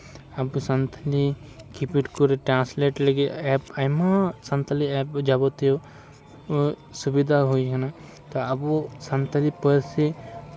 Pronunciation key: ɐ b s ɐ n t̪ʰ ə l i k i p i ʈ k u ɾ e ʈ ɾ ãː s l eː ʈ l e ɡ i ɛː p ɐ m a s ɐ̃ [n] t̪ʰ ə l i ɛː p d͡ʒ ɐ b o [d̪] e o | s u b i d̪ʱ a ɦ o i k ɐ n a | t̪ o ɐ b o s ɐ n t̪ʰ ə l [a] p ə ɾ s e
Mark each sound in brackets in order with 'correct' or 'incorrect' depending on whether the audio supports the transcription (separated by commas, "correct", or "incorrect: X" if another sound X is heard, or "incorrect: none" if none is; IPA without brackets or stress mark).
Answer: correct, incorrect: t̪, incorrect: i